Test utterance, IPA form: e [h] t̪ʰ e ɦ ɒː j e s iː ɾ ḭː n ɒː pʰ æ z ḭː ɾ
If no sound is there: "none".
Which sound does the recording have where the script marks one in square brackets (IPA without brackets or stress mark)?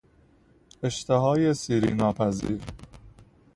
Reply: ʃ